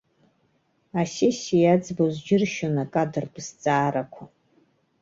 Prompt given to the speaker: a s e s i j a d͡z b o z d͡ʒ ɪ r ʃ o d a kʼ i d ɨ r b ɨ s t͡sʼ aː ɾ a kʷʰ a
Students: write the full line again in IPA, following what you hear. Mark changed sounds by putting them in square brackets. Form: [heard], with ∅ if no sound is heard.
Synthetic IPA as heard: a s e s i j a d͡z b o z d͡ʒ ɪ r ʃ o [n] a kʼ [a] d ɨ r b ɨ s t͡sʼ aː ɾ a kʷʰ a